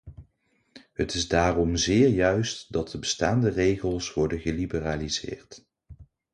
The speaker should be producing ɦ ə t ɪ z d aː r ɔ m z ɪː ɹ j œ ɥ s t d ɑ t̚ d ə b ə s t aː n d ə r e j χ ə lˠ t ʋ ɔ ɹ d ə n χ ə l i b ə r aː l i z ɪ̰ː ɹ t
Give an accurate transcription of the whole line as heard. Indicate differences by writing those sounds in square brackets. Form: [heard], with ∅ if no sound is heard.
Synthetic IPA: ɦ ə t ɪ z d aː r ɔ m z ɪː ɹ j œ ɥ s t d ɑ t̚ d ə b ə s t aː n d ə r e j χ ə lˠ [s] ʋ ɔ ɹ d ə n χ ə l i b ə r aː l i z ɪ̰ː ɹ t